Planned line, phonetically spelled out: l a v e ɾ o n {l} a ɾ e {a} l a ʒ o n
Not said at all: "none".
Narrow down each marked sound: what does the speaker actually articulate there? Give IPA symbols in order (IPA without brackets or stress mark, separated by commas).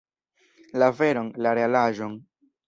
l, a